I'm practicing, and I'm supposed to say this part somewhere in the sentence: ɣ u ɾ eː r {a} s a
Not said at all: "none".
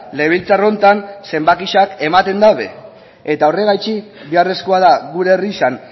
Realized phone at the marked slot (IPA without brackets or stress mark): i